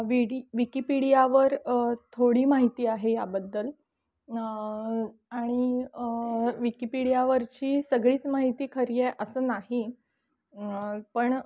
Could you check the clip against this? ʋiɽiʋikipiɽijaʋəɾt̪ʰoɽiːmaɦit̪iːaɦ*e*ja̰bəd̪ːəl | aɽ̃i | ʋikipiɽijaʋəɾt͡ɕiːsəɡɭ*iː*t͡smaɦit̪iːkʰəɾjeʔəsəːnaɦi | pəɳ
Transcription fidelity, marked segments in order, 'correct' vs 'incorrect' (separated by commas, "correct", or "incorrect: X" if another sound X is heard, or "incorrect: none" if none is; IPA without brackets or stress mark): correct, correct